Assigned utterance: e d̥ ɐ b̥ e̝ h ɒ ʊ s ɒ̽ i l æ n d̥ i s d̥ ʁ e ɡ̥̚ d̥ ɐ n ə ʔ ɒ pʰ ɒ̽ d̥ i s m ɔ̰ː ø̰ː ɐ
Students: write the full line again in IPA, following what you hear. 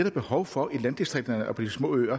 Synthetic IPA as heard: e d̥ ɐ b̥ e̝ h ɒ ʊ f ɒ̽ i l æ n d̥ i s d̥ ʁ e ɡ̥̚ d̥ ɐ n ə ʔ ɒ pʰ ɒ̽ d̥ i s m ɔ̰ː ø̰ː ɐ